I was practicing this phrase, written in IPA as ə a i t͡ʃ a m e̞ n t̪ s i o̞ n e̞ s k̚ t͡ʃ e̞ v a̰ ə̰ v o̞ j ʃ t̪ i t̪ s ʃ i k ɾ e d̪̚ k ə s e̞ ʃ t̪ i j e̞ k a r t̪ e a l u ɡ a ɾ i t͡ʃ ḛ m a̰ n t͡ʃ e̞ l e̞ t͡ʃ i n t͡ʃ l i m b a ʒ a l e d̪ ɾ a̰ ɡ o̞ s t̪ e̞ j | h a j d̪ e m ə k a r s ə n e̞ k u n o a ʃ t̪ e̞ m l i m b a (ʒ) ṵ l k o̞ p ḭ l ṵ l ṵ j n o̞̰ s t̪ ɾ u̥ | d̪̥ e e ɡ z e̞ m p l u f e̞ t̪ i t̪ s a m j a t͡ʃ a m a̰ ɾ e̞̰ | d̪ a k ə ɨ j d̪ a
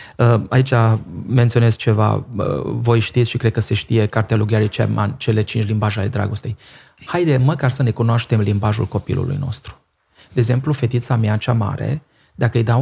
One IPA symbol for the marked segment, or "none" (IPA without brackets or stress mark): ʒ